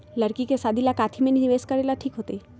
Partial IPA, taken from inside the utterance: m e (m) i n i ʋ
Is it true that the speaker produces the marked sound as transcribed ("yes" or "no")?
no